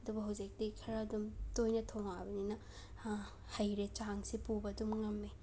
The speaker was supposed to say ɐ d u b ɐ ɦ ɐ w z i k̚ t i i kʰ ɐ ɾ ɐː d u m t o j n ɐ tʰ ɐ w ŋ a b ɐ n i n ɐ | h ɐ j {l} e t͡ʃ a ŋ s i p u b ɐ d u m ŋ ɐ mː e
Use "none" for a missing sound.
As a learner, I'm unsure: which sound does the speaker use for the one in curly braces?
ɾ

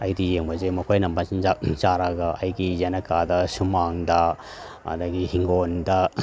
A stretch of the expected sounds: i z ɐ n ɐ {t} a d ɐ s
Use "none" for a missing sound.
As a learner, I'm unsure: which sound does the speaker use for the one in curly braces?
k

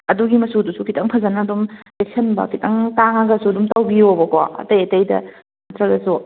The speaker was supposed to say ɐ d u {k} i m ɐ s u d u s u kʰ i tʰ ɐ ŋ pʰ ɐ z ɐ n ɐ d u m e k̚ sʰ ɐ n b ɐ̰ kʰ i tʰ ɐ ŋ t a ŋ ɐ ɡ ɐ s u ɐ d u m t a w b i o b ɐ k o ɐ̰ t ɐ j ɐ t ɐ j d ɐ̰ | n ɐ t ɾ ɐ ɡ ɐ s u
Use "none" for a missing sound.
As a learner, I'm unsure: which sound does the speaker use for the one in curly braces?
ɡ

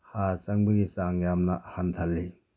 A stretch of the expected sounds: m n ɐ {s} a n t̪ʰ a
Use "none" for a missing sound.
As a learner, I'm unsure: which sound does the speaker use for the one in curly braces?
h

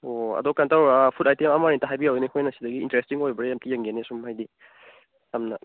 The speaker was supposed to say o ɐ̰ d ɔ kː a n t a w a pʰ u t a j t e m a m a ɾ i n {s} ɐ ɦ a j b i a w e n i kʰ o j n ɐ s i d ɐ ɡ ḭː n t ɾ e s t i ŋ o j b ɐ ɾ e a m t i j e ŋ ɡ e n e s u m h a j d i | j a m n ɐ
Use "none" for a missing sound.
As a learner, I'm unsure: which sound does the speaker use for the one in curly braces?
t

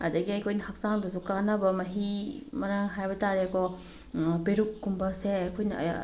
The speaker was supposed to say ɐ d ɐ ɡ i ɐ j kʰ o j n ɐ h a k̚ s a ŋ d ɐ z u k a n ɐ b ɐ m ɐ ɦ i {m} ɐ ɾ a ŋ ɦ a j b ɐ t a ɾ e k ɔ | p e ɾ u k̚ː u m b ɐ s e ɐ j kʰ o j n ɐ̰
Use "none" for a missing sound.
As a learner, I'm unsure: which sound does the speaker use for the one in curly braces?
m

